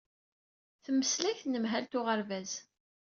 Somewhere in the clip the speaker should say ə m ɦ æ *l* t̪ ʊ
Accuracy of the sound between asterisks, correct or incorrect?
correct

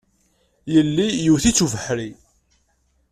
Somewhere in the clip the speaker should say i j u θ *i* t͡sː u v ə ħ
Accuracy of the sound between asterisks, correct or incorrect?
correct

